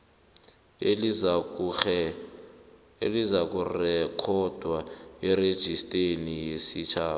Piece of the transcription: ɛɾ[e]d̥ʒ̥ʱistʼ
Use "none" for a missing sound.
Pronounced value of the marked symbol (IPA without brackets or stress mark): e